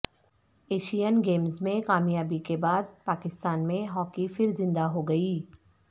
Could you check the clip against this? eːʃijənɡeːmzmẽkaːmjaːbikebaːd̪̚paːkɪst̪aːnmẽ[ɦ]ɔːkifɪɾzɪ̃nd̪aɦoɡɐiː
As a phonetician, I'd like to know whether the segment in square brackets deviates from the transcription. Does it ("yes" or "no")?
no